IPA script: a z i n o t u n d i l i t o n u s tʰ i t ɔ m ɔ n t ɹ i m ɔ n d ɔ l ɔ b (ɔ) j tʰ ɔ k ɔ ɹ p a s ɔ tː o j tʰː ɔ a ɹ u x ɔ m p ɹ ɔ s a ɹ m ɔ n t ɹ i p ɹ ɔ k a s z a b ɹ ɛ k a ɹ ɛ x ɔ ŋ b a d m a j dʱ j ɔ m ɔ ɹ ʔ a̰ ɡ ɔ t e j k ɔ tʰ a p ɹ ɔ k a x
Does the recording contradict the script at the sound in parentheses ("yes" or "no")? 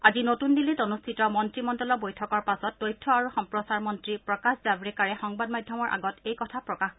yes